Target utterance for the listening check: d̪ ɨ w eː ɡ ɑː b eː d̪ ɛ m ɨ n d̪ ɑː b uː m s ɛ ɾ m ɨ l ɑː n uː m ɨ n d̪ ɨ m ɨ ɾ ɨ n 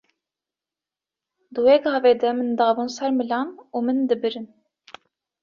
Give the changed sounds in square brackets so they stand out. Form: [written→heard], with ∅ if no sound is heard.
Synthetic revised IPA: d̪ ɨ w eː ɡ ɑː [b→v] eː d̪ ɛ m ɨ n d̪ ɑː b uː [m→n] s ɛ ɾ m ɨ l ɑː n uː m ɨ n d̪ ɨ [m→b] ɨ ɾ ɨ n